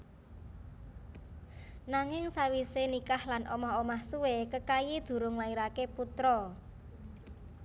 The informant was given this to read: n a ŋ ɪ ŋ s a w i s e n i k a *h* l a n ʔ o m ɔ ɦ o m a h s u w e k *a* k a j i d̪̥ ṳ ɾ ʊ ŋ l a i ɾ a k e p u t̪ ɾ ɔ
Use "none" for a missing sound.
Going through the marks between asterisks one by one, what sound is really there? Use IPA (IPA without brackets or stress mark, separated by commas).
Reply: h, ə